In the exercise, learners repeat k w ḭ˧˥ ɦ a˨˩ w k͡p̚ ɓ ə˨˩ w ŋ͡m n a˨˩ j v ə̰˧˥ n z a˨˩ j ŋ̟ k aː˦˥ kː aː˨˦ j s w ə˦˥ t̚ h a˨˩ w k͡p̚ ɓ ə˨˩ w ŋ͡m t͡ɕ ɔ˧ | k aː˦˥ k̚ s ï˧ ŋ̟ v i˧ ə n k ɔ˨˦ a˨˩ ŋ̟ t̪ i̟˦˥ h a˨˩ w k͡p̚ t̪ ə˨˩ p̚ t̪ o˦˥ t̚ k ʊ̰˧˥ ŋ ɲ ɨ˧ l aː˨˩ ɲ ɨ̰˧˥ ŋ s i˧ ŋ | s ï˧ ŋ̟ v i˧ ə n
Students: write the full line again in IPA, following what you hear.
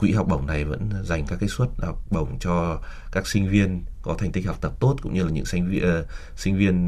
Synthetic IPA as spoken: k w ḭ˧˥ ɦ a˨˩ w k͡p̚ ɓ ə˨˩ w ŋ͡m n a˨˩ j v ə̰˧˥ n z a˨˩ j ŋ̟ k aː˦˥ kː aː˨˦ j s w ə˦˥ t̚ h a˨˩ w k͡p̚ ɓ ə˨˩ w ŋ͡m t͡ɕ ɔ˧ | k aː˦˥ k̚ s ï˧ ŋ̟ v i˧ ə n k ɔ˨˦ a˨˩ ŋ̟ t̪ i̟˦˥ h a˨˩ w k͡p̚ t̪ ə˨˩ p̚ t̪ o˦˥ t̚ k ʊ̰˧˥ ŋ͡m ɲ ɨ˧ l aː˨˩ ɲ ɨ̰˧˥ ŋ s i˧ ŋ | s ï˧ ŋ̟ v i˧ ə n